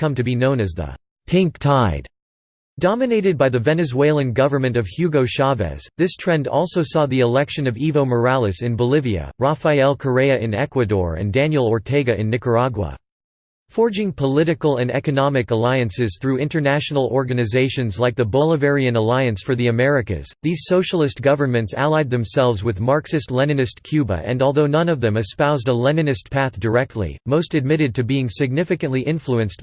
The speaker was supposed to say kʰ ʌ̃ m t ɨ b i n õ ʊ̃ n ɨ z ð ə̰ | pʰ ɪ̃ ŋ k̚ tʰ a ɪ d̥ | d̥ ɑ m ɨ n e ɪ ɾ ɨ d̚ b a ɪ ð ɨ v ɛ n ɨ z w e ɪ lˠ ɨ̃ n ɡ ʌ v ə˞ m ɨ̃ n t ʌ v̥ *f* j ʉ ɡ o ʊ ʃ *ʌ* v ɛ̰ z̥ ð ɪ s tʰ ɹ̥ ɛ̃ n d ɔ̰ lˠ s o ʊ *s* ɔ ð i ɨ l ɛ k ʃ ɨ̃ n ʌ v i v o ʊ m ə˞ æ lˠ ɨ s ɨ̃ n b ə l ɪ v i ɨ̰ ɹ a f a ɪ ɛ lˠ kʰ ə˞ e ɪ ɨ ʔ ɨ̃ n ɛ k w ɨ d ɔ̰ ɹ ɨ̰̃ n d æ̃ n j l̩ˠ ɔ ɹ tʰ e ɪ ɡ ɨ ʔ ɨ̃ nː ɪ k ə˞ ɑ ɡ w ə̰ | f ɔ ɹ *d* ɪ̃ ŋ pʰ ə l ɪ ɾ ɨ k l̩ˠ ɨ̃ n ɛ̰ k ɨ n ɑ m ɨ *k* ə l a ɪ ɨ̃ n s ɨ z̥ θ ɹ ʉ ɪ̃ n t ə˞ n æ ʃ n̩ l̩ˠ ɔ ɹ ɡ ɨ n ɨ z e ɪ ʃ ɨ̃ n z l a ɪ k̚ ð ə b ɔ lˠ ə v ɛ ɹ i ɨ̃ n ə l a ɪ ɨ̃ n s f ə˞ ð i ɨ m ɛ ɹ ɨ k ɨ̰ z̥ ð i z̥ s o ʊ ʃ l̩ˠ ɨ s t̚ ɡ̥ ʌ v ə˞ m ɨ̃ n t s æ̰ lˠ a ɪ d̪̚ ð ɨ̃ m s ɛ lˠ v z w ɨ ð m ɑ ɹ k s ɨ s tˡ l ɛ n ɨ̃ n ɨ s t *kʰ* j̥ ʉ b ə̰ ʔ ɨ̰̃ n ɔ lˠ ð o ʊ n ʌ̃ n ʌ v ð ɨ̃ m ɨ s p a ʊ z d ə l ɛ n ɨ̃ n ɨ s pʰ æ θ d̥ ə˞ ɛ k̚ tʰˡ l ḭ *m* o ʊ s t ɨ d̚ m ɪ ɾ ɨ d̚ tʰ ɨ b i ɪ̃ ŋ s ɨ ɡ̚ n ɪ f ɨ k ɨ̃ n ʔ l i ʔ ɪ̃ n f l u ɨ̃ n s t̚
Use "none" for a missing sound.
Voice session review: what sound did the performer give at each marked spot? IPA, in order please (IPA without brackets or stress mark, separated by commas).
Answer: h, ɑ, s, d͡ʒ, k, kʰ, m